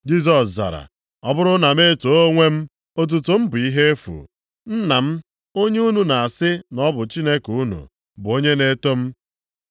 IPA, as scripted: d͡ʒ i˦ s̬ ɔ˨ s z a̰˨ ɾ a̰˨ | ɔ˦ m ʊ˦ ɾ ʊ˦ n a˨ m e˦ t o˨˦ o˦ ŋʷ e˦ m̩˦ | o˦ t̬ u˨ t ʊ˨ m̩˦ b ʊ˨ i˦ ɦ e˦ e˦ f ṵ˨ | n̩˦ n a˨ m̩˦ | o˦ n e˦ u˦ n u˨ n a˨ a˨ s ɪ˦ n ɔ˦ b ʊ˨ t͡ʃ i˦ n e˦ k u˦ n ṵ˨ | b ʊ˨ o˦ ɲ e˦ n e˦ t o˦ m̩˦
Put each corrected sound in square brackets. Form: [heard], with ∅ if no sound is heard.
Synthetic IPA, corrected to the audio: d͡ʒ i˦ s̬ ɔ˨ s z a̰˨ ɾ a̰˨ | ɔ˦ [b] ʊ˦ ɾ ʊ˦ n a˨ m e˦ t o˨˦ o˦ ŋʷ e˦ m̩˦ | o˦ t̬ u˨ t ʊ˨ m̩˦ b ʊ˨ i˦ ɦ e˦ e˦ f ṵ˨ | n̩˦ n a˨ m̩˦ | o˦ [ɲ] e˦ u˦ n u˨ n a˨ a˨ s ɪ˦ n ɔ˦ b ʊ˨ t͡ʃ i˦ n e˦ k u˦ n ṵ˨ | b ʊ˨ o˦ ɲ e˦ n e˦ t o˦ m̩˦